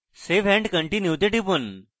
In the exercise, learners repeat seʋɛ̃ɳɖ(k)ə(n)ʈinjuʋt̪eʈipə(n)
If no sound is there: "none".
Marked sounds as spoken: k, ɳ, n

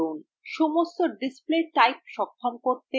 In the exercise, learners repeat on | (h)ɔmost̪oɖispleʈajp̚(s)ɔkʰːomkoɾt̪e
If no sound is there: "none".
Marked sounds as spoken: ʃ, ʃ

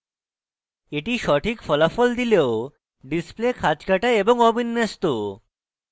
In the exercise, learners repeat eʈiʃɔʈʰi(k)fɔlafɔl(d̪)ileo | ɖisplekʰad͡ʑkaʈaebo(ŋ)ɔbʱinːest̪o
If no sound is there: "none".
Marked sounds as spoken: k, d̪, ŋ

